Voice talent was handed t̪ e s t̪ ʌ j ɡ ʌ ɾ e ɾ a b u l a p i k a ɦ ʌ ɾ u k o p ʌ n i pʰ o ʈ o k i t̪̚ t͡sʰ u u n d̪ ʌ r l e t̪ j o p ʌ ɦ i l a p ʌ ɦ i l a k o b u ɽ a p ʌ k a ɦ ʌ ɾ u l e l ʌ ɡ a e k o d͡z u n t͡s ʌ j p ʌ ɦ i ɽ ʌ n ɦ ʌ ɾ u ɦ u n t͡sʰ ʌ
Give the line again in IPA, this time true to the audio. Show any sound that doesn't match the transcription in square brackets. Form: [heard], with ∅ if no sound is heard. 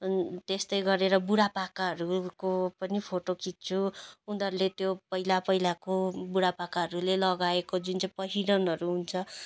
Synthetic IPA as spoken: t̪ e s t̪ ʌ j ɡ ʌ ɾ e ɾ [ʌ] b u [ɽ] a p [a] k a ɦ ʌ ɾ u k o p ʌ n i pʰ o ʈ o k i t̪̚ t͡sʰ u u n d̪ ʌ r l e t̪ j o p ʌ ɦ i l a p ʌ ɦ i l a k o b u ɽ a p [a] k a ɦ ʌ ɾ u l e l ʌ ɡ a e k o d͡z u n t͡s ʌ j p ʌ ɦ i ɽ ʌ n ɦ ʌ ɾ u ɦ u n t͡sʰ ʌ